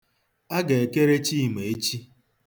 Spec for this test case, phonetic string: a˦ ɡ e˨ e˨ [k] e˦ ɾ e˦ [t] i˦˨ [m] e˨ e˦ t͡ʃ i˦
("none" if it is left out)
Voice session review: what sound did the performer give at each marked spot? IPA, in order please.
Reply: k, t͡ʃ, m

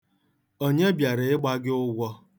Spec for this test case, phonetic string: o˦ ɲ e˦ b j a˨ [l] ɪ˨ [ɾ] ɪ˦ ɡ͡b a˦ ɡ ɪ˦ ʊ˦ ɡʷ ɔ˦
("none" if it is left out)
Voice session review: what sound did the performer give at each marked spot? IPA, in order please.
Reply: ɾ, none

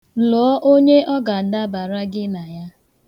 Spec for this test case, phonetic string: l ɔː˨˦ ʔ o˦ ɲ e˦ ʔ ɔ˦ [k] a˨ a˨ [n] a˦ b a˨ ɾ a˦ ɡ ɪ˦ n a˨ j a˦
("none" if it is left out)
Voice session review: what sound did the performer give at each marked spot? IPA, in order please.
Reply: ɡ, d

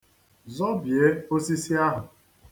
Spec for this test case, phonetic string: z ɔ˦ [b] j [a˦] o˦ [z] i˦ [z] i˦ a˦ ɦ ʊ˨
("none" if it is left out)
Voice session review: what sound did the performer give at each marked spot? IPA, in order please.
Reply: b, e˦, s, s

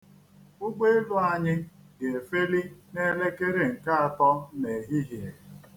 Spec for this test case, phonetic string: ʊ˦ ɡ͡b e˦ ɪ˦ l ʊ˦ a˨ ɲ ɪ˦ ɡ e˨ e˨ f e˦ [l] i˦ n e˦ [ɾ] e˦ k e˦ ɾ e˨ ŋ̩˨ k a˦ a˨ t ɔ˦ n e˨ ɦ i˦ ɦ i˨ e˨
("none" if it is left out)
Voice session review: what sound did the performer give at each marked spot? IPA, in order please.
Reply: l, l

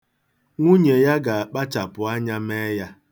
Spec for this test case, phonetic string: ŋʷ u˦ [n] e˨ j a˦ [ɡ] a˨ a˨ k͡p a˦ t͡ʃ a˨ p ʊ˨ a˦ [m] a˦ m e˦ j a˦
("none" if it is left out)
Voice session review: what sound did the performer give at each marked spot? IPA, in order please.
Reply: ɲ, ɡ, ɲ

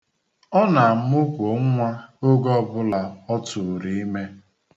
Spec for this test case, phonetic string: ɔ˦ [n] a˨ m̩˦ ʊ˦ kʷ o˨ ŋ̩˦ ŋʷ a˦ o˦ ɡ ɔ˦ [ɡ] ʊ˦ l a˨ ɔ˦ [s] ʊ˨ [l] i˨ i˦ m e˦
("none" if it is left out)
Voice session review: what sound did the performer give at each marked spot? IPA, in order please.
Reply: n, b, t, ɾ

